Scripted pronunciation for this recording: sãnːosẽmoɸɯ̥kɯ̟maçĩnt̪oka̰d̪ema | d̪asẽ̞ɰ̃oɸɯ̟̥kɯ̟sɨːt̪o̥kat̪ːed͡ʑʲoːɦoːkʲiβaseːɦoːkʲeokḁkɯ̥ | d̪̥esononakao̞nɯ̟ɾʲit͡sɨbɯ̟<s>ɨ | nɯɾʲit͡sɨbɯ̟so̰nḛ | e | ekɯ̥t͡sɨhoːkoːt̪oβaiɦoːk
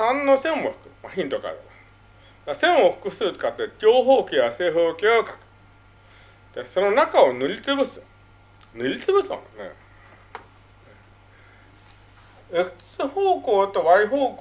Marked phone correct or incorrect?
correct